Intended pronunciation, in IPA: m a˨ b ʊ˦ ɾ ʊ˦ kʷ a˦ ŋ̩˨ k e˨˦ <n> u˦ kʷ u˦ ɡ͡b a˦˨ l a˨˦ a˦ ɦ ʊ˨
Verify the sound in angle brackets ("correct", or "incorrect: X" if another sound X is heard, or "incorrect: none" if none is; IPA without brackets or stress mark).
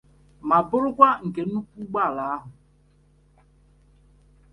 correct